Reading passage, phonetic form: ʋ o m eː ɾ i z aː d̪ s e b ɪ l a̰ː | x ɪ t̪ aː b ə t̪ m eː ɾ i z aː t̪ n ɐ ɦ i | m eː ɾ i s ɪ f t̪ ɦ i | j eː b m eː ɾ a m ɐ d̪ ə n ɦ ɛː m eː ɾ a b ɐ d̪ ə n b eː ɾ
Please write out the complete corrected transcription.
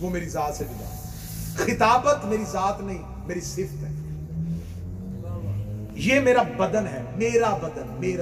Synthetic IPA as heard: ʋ o m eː ɾ i z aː t̪ s e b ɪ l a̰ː | x ɪ t̪ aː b ə t̪ m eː ɾ i z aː t̪ n ɐ ɦ ĩ | m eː ɾ i s ɪ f t̪ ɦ ɛ | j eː m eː ɾ a b ɐ d̪ ə n ɦ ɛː m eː ɾ a b ɐ d̪ ə n m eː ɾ